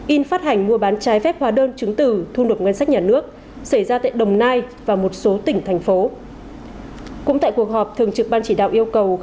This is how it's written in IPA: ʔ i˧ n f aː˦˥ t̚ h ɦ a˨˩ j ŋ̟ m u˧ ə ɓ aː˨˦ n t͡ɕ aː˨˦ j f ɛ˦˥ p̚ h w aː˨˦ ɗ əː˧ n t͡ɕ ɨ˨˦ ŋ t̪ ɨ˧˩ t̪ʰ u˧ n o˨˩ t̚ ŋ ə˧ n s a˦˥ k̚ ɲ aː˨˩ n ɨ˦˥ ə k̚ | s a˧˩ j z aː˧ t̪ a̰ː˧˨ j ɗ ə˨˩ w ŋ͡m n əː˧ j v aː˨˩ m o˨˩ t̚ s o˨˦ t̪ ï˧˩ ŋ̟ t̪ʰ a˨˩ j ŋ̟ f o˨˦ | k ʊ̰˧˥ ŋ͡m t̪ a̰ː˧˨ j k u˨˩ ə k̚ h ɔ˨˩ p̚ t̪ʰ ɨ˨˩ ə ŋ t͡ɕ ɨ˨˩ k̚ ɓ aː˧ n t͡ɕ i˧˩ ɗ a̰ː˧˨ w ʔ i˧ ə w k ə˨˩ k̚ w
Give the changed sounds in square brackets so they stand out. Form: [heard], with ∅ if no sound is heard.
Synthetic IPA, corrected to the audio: ʔ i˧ n f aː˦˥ t̚ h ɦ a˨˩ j ŋ̟ m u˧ ə ɓ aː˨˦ n t͡ɕ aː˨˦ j f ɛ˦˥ p̚ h w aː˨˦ ɗ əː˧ n t͡ɕ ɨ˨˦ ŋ t̪ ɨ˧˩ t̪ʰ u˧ n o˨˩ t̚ ŋ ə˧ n s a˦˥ k̚ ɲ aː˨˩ n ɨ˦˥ ə k̚ | s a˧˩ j z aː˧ t̪ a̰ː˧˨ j ɗ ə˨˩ w ŋ͡m n [aː˧] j v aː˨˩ m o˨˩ t̚ s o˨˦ t̪ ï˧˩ ŋ̟ t̪ʰ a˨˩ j ŋ̟ f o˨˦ | k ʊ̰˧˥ ŋ͡m t̪ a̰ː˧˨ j k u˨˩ ə k̚ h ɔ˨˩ p̚ t̪ʰ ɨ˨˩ ə ŋ t͡ɕ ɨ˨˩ k̚ ɓ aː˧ n t͡ɕ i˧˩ ɗ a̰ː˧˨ w ʔ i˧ ə w k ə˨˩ [∅] w